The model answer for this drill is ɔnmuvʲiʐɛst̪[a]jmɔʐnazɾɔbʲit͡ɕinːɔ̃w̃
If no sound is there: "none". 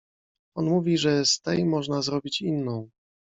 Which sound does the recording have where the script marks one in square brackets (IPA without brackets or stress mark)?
ɛ